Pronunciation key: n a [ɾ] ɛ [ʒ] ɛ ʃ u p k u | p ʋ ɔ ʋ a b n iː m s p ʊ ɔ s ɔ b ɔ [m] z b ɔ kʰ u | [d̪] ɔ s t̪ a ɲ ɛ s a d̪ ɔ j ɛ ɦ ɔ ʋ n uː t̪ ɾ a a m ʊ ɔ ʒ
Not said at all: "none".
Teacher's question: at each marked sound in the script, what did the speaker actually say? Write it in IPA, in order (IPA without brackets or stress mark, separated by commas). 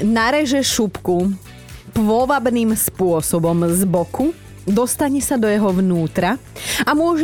ɾ, ʒ, m, d̪